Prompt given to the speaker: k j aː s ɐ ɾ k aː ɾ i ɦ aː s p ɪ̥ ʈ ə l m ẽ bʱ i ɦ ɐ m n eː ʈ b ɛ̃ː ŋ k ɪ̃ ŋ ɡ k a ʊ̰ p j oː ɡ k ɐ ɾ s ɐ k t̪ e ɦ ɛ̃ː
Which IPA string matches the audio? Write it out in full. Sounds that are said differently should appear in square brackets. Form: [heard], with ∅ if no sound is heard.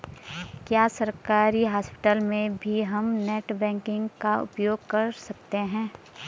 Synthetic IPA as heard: k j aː s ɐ ɾ k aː ɾ i ɦ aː s p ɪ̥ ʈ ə l m ẽ bʱ i ɦ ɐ m n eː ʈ b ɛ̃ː ŋ k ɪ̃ ŋ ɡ k a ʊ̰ p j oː ɡ k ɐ ɾ s ɐ k t̪ e ɦ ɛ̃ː